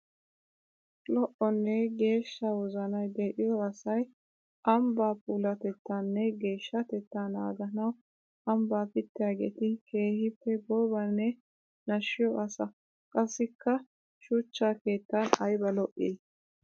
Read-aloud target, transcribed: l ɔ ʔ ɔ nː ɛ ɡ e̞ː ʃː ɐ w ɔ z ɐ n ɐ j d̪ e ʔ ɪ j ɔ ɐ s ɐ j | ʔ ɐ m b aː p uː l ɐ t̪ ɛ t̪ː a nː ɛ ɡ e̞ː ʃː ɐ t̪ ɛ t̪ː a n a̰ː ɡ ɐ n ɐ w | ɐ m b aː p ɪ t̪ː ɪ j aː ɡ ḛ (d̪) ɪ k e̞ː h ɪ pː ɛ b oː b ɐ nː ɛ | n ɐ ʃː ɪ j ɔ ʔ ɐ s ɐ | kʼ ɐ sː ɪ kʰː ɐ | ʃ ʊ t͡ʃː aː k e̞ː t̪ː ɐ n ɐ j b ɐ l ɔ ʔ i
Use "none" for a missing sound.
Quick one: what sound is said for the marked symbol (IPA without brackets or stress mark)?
t̪